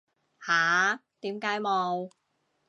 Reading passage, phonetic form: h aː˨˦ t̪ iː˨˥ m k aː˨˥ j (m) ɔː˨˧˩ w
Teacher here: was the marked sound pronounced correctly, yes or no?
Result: yes